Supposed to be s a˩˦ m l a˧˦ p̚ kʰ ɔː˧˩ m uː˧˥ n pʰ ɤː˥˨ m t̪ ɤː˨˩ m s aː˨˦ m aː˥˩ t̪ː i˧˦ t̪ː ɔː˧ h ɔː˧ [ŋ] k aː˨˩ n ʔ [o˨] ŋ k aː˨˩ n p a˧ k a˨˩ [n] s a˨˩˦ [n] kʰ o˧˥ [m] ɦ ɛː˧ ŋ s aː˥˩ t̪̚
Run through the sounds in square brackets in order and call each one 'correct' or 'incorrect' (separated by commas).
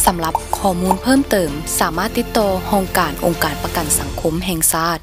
correct, correct, correct, incorrect, correct